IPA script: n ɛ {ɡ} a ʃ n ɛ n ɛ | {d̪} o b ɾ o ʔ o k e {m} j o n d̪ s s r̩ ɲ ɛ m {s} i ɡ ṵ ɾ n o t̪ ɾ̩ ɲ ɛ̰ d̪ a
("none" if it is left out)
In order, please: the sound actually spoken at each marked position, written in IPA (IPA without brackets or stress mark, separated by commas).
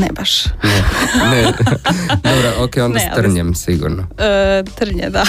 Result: b, d̪, none, s